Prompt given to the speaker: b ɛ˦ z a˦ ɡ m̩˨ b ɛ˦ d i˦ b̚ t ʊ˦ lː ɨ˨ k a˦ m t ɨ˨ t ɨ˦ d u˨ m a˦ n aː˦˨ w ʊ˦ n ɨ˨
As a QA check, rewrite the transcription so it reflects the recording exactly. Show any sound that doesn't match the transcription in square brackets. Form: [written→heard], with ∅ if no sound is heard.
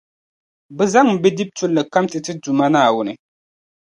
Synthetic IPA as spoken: b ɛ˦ z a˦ [ɡ→ŋ] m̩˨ b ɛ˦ d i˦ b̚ t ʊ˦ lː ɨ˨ k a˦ m t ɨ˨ t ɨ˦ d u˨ m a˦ n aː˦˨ w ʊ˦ n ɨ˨